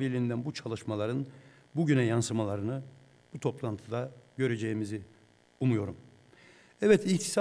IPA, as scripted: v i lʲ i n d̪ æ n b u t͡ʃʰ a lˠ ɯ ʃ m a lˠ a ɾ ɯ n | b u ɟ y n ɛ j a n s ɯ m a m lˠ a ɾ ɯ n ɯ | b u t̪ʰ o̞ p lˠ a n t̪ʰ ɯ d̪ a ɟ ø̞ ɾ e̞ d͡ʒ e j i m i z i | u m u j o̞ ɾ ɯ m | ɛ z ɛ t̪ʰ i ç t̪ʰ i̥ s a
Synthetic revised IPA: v i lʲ i n d̪ æ n b u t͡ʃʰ a lˠ ɯ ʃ m a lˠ a ɾ ɯ n | b u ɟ y n ɛ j a n s ɯ m a lˠ a ɾ ɯ n ɯ | b u t̪ʰ o̞ p lˠ a n t̪ʰ ɯ d̪ a ɟ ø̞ ɾ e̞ d͡ʒ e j i m i z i | u m u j o̞ ɾ u m | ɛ v ɛ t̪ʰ i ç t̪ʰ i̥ s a